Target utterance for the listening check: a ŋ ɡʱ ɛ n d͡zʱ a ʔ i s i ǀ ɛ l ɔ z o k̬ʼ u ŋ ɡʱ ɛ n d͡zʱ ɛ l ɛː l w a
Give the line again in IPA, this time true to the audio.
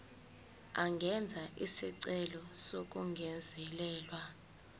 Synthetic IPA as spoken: a ŋ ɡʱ ɛ n d͡zʱ a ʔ i s i ǀ ɛ l ɔ s o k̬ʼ u ŋ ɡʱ ɛ n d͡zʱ ɛ l ɛː l w a